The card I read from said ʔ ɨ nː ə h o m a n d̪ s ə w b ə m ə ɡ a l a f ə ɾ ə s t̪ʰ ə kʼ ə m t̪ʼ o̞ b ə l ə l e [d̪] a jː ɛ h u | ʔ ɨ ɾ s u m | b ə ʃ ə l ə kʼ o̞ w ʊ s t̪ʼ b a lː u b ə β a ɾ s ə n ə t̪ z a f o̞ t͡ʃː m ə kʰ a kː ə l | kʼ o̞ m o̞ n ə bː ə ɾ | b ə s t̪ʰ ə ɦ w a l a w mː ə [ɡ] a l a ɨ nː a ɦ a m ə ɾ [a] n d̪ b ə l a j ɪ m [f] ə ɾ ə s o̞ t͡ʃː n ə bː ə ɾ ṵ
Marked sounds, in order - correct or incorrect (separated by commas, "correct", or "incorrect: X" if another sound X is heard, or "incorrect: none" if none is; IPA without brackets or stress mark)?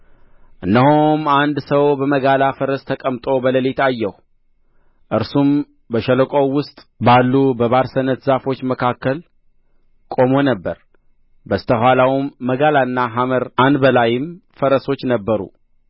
incorrect: t̪, correct, correct, correct